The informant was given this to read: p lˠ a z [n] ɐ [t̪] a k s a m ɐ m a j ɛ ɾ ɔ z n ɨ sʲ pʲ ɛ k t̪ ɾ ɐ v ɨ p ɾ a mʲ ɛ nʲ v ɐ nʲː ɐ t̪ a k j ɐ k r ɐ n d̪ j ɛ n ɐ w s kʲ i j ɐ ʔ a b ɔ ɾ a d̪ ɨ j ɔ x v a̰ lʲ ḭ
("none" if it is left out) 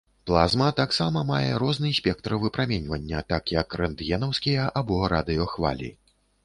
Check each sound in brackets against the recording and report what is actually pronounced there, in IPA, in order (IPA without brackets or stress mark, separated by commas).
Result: m, t̪